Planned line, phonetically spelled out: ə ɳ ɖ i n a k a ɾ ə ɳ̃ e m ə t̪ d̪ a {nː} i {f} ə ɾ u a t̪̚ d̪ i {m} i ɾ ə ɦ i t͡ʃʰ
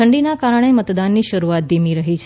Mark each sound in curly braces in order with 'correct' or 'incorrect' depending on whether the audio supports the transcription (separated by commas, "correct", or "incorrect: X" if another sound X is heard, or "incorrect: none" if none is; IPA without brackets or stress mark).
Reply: correct, incorrect: ʃ, correct